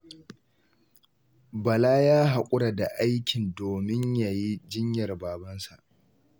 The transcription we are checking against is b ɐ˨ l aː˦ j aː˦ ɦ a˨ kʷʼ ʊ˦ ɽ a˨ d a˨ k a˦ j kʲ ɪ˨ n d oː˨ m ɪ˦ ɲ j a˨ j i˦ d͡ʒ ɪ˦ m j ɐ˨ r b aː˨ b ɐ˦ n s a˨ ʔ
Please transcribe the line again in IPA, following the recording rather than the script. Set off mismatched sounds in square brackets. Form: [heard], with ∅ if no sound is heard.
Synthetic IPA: b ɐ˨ l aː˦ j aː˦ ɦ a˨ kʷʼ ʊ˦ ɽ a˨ d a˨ [ʔ] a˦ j kʲ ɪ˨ n d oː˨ m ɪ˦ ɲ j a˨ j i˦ d͡ʒ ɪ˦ [ɲ] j ɐ˨ r b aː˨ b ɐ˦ n s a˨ ʔ